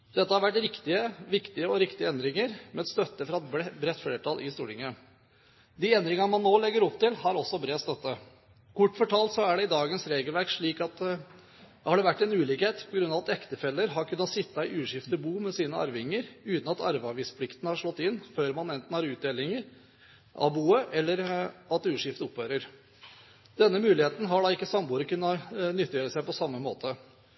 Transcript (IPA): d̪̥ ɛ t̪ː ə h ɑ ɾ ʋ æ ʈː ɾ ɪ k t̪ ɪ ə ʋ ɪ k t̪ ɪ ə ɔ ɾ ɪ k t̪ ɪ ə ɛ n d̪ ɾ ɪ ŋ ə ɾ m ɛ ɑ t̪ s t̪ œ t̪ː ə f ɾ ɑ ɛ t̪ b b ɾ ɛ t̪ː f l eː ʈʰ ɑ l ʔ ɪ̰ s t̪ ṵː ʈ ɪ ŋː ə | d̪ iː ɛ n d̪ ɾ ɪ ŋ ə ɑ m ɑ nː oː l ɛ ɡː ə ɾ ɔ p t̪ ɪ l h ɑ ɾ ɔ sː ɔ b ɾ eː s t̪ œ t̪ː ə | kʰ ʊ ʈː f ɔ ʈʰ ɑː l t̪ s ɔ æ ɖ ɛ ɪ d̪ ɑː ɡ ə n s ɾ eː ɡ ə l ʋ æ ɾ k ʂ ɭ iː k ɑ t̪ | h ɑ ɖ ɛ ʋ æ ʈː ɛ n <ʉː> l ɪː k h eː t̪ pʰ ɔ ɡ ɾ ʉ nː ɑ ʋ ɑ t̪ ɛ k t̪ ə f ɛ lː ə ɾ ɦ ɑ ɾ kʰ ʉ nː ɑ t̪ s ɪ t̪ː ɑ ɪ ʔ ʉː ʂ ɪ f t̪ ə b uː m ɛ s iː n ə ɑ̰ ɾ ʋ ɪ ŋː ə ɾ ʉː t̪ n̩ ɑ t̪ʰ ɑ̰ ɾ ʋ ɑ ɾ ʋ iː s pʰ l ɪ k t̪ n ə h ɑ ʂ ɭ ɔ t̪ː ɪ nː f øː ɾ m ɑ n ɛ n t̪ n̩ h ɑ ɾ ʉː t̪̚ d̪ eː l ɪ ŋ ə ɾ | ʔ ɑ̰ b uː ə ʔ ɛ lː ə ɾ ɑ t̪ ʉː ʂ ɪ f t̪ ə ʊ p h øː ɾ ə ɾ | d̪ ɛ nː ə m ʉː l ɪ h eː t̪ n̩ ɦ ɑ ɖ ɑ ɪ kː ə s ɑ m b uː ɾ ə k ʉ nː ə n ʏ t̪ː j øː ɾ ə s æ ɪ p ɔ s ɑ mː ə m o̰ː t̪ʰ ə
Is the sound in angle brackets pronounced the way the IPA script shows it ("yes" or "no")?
yes